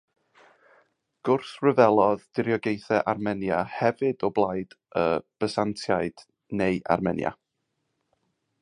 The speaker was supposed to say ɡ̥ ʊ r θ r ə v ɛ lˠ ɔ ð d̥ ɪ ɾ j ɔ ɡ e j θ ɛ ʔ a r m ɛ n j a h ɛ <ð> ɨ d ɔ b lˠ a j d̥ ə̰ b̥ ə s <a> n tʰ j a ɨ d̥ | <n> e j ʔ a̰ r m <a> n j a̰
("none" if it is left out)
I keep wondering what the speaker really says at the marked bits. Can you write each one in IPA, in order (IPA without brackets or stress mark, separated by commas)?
v, a, n, ɛ